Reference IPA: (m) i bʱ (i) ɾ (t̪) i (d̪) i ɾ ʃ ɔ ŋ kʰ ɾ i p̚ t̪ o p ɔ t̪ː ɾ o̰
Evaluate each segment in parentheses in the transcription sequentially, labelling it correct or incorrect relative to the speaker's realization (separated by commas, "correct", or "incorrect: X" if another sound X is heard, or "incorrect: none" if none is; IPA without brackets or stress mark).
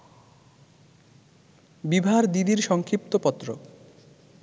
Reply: incorrect: b, incorrect: a, incorrect: d̪, correct